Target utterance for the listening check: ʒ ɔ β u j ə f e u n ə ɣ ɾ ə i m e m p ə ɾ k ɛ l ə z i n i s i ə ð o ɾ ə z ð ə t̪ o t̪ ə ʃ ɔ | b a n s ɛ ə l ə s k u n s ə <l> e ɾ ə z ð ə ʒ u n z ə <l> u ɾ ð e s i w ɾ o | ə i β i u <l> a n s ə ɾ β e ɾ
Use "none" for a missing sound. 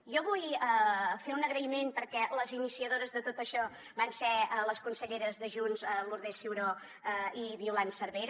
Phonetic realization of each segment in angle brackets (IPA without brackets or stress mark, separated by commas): ʎ, l, l